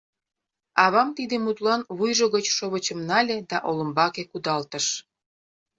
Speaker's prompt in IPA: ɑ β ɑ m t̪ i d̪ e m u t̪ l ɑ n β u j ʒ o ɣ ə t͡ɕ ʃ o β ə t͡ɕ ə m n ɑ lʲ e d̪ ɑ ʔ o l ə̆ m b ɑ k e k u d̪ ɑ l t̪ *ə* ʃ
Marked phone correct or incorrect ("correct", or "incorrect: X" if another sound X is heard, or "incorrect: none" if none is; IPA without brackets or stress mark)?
correct